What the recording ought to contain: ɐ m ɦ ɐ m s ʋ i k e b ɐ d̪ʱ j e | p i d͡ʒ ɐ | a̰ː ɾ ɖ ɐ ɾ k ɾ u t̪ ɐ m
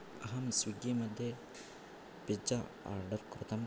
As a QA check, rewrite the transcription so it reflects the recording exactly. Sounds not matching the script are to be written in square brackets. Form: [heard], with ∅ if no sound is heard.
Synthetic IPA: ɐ [∅] ɦ ɐ m s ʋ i [ɡ] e [m] ɐ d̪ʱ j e | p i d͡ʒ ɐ | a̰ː ɾ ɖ ɐ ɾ k ɾ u t̪ ɐ m